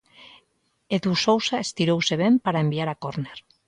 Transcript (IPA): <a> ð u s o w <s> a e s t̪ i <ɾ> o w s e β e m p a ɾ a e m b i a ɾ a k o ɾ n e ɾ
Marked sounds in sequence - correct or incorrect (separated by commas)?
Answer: incorrect, correct, correct